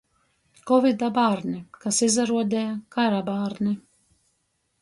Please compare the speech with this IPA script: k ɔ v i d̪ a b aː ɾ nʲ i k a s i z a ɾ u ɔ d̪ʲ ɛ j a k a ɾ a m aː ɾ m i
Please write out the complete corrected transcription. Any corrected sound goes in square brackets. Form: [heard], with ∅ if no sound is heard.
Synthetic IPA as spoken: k ɔ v i d̪ a b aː ɾ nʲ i k a s i z a ɾ u ɔ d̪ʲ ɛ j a k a ɾ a [b] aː ɾ [n] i